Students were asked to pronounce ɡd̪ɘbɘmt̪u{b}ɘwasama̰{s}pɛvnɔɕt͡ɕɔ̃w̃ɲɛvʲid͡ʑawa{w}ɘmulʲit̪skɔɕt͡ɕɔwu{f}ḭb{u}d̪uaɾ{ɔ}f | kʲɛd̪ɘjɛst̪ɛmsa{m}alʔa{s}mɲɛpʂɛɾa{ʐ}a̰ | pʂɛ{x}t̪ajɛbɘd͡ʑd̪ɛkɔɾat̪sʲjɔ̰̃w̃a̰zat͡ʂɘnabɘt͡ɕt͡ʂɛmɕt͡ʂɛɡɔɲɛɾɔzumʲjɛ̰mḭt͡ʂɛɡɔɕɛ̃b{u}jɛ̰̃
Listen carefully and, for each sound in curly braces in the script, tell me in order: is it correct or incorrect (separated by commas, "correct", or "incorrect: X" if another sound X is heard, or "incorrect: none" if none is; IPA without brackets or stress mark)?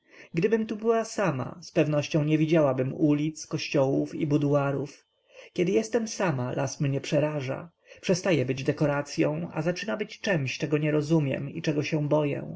correct, correct, incorrect: b, correct, correct, incorrect: u, correct, correct, correct, incorrect: s, incorrect: ɔ